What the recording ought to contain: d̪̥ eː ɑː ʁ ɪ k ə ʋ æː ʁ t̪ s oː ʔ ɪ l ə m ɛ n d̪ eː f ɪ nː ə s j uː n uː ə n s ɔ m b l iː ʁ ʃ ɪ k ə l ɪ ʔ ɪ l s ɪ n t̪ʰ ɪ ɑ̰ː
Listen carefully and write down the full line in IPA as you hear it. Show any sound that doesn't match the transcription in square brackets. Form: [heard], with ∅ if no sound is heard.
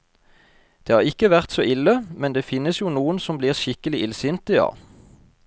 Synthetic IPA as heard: d̪̥ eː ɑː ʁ ɪ k ə ʋ [æ] ʁ t̪ s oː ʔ ɪ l ə m ɛ n d̪ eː f ɪ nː ə s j uː n uː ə n s ɔ m b l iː ʁ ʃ ɪ k ə l ɪ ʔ ɪ l s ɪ n [t̪] ɪ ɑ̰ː